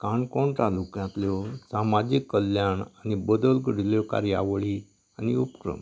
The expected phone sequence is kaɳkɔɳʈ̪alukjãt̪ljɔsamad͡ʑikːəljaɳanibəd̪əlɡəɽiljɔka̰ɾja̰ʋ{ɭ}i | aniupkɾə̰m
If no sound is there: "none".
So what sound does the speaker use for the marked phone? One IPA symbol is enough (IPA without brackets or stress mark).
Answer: ɭ